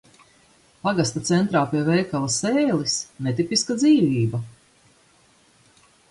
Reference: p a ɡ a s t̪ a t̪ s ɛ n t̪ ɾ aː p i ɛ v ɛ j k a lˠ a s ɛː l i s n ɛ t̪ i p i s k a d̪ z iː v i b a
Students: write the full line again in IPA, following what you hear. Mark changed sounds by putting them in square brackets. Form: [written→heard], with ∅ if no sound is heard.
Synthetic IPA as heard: p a ɡ a s t̪ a t̪ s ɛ n t̪ ɾ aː p i ɛ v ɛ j k a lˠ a s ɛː l i s n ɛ t̪ i p i s k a d̪ z iː v [i→iː] b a